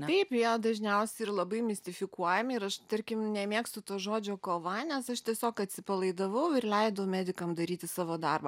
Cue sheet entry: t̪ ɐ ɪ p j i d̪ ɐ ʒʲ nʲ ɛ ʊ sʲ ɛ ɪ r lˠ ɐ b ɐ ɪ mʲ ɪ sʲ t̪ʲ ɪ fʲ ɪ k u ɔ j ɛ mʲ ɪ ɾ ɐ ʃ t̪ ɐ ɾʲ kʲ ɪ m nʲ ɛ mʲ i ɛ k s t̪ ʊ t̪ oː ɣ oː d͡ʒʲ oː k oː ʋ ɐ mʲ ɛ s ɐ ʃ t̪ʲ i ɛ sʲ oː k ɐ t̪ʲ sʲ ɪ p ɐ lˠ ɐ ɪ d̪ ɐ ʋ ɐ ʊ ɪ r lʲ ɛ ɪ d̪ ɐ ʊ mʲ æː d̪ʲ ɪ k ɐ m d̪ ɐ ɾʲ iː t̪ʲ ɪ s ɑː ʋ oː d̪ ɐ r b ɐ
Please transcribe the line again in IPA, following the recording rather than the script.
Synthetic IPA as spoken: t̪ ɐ ɪ p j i d̪ ɐ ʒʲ nʲ ɛ ʊ sʲ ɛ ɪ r lˠ ɐ b ɐ ɪ mʲ ɪ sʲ t̪ʲ ɪ fʲ ɪ k u ɔ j ɛ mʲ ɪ ɾ ɐ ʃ t̪ ɐ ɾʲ kʲ ɪ m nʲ ɛ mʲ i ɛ k s t̪ ʊ t̪ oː ʒ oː d͡ʒʲ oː k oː ʋ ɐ nʲ ɛ s ɐ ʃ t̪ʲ i ɛ sʲ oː k ɐ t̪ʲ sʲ ɪ p ɐ lˠ ɐ ɪ d̪ ɐ ʋ ɐ ʊ ɪ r lʲ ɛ ɪ d̪ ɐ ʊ mʲ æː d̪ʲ ɪ k ɐ m d̪ ɐ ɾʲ iː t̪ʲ ɪ s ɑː ʋ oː d̪ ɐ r b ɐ